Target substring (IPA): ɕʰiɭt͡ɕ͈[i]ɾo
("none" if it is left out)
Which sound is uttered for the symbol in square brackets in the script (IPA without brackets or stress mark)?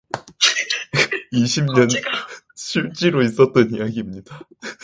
i